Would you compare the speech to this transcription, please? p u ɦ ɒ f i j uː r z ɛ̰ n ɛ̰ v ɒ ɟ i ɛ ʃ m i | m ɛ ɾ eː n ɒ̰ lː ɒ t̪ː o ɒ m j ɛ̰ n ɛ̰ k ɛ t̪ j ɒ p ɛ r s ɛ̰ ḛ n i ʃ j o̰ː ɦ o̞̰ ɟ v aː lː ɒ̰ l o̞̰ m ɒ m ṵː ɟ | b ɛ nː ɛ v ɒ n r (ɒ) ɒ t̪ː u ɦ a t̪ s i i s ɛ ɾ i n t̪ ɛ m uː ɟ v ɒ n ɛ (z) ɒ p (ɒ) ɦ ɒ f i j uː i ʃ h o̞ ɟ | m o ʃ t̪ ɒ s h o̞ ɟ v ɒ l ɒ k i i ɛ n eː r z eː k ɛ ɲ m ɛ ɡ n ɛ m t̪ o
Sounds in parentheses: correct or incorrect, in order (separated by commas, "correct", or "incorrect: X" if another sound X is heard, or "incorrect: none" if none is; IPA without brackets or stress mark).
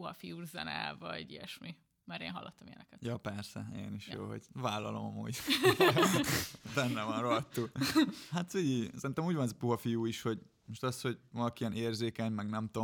incorrect: o, correct, incorrect: u